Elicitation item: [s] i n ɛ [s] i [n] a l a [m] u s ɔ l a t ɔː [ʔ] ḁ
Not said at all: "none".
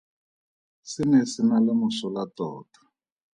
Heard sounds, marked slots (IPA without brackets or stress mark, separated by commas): s, s, n, m, t